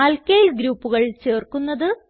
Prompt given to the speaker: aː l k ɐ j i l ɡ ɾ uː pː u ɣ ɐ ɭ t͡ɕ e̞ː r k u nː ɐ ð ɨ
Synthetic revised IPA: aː l k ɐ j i l ɡ ɾ uː pː u ɣ ɐ ɭ t͡ɕ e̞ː r k u nː ɐ ð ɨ